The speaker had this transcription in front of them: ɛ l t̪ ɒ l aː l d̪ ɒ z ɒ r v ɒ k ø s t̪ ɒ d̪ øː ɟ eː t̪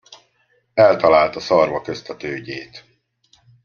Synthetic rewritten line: ɛ l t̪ ɒ l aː l t̪ ɒ s ɒ r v ɒ k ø s t̪ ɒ t̪ øː ɟ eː t̪